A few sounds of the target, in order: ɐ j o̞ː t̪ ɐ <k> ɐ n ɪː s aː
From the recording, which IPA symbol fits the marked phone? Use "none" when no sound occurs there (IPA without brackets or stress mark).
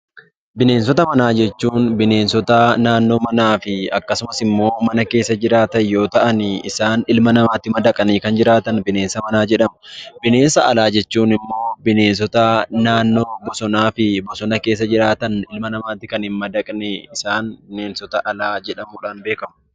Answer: ʔ